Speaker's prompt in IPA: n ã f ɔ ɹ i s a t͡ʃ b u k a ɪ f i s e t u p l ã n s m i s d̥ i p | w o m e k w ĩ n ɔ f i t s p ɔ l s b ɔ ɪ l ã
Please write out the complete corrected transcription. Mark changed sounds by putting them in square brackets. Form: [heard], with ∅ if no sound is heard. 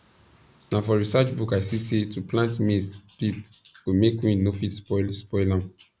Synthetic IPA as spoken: n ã f ɔ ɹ i s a t͡ʃ b u k a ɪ [s] i s e t u p l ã n [t] m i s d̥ i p | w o m e k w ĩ n [o] f i t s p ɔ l s [p] ɔ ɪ l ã